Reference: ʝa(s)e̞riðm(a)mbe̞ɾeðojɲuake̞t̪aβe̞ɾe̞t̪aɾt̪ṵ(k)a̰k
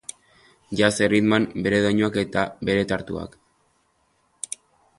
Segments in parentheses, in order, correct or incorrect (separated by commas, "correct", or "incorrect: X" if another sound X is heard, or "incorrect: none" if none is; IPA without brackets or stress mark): correct, correct, incorrect: none